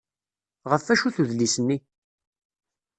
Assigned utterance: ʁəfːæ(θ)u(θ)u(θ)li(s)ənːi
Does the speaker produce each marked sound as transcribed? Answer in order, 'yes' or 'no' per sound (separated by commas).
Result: no, yes, no, yes